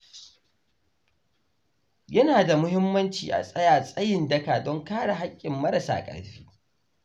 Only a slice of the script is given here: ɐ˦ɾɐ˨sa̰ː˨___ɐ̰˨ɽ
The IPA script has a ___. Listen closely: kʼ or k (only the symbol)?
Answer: kʼ